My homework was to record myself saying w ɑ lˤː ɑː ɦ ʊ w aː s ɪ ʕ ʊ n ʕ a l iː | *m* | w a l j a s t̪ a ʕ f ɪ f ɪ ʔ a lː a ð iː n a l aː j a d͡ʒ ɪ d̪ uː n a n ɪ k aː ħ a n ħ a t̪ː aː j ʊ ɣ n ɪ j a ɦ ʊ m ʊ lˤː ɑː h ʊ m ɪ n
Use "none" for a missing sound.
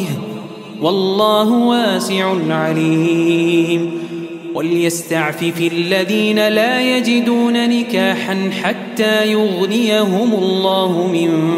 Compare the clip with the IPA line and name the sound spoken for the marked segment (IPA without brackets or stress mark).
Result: m